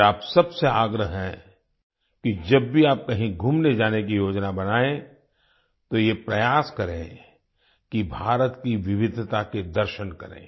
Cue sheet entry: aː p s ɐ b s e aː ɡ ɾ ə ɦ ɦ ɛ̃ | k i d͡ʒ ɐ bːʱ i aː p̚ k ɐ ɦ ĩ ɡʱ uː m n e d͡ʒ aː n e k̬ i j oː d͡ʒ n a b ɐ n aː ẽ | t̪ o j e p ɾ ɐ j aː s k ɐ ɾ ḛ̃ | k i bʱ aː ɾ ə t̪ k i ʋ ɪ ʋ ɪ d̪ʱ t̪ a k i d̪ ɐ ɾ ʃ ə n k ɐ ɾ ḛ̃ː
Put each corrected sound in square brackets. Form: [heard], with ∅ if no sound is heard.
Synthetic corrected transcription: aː p s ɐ b s e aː ɡ ɾ ə ɦ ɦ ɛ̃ | k i d͡ʒ ɐ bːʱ i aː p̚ k ɐ ɦ ĩ ɡʱ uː m n e d͡ʒ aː n e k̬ i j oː d͡ʒ n a b ɐ n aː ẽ | t̪ o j e p ɾ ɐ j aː s k ɐ ɾ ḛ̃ | k i bʱ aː ɾ ə t̪ k i ʋ ɪ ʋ ɪ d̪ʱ t̪ a k [e] d̪ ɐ ɾ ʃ ə n k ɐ ɾ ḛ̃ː